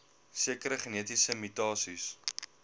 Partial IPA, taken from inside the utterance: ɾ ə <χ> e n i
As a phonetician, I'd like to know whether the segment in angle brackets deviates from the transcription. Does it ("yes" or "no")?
no